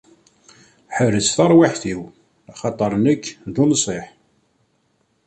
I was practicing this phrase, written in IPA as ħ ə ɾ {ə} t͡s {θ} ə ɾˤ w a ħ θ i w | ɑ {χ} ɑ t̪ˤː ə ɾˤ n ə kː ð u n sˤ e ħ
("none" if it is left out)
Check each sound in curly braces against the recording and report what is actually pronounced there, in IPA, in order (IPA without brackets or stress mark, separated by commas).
ə, θ, χ